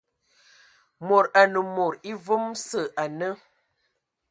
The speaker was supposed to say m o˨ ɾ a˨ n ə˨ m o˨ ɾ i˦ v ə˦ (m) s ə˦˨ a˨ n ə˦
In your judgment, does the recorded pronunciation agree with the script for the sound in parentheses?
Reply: yes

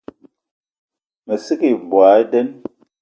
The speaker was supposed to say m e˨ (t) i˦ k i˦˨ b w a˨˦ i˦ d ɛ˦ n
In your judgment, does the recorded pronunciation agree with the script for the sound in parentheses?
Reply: no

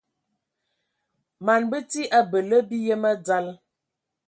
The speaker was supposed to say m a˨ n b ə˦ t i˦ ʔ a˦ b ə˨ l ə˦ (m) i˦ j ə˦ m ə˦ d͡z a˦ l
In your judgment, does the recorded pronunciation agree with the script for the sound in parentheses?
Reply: no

